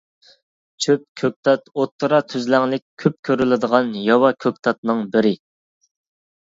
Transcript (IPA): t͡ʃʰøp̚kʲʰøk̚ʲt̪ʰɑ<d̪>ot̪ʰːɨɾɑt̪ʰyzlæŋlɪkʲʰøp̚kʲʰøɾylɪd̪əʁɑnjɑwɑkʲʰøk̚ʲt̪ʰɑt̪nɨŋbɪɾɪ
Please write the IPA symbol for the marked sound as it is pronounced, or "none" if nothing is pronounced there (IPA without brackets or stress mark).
t̪